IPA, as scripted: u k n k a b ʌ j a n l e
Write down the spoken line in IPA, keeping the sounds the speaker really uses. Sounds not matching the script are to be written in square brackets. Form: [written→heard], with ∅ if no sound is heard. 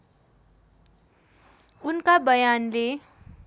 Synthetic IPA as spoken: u [k→∅] n k a b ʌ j a n l e